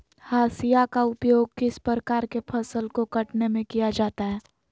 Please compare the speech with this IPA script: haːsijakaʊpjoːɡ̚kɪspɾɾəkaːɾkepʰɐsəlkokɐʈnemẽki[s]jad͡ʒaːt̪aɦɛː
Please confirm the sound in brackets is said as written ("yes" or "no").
no